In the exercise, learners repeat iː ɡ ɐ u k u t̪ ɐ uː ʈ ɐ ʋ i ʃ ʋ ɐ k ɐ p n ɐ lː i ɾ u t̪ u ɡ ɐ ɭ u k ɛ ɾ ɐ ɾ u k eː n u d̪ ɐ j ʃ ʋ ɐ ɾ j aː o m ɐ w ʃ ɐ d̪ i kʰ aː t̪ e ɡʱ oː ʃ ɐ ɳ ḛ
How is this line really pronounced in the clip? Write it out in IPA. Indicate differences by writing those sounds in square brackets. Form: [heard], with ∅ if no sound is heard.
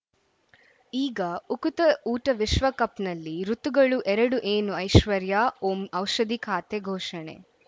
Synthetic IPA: iː ɡ ɐ u k u t̪ ɐ uː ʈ ɐ ʋ i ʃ ʋ ɐ k ɐ p n ɐ lː i ɾ u t̪ u ɡ ɐ ɭ u [ʔ] ɛ ɾ ɐ [ɽ] u [ʔ] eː n u [∅] ɐ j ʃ ʋ ɐ ɾ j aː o m ɐ w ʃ ɐ d̪ i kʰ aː t̪ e ɡʱ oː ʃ ɐ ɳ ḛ